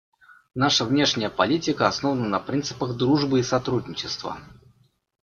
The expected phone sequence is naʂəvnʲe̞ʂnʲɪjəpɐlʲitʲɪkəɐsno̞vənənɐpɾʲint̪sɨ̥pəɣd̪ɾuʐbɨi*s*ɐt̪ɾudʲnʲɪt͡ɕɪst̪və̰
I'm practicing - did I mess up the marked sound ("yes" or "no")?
no